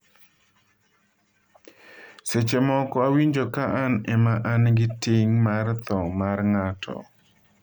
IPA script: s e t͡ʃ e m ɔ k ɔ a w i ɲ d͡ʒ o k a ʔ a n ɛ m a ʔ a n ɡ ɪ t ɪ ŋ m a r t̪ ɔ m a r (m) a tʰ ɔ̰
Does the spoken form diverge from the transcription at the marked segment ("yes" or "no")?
yes